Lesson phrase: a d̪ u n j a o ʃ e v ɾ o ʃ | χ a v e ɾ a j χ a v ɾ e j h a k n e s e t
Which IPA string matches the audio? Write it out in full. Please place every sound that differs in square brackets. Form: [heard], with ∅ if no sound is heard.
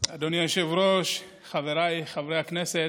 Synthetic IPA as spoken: a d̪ [o] n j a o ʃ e v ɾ o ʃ | χ a v e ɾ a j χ a v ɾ e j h a k n e s e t